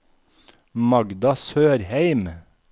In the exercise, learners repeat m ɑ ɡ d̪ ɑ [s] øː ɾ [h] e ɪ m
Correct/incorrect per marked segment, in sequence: correct, correct

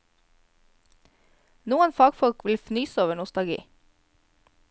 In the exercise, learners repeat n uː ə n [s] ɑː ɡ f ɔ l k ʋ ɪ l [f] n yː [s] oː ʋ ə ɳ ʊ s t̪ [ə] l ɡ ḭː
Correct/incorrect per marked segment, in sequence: incorrect, correct, correct, incorrect

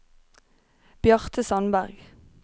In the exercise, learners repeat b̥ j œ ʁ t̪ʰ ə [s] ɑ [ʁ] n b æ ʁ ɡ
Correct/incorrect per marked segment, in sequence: correct, incorrect

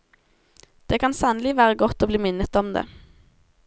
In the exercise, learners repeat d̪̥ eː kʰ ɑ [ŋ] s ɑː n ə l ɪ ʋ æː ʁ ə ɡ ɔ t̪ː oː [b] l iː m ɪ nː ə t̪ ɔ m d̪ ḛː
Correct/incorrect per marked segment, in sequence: incorrect, correct

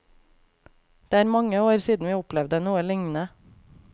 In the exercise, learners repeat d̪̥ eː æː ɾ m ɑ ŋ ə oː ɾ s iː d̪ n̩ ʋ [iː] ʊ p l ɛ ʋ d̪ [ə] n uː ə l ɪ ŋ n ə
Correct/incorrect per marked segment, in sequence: correct, correct

